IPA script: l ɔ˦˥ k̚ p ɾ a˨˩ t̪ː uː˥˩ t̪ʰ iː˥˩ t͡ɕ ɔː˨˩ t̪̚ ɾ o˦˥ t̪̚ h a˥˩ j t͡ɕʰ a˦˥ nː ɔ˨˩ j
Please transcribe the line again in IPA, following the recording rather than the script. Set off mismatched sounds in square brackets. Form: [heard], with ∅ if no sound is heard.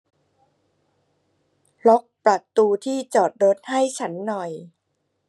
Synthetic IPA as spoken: l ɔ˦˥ k̚ p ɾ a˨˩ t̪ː [uː˧] t̪ʰ iː˥˩ t͡ɕ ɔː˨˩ t̪̚ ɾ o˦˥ t̪̚ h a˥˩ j t͡ɕʰ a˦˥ nː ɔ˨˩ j